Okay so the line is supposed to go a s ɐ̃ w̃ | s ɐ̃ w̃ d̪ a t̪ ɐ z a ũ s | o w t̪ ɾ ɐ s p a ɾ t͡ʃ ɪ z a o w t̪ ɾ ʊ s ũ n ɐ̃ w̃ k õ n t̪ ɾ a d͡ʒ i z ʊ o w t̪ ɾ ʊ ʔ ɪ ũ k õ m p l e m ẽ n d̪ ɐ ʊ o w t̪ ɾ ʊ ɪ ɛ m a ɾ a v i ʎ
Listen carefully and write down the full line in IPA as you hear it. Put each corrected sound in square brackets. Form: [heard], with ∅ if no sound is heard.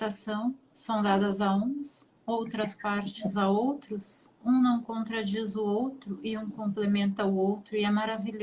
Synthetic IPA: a s ɐ̃ w̃ | s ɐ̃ w̃ d̪ a [d̪] ɐ z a ũ s | o w t̪ ɾ ɐ s p a ɾ t͡ʃ ɪ z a o w t̪ ɾ ʊ s ũ n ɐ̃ w̃ k õ n t̪ ɾ a d͡ʒ i z ʊ o w t̪ ɾ ʊ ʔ ɪ ũ k õ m p l e m ẽ n [t̪] ɐ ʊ o w t̪ ɾ ʊ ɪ ɛ m a ɾ a v i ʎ